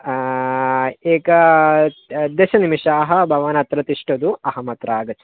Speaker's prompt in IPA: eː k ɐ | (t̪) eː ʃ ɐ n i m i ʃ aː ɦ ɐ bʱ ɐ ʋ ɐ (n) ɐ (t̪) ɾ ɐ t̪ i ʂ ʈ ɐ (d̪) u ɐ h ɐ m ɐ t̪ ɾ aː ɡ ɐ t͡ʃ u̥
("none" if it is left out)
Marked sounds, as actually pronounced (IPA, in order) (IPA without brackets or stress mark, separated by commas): d̪, n, t̪, d̪